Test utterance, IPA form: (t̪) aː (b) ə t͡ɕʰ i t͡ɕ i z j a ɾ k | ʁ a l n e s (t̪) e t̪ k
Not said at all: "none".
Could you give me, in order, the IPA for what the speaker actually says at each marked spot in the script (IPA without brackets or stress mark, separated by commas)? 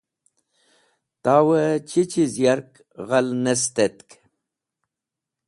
t̪, w, t̪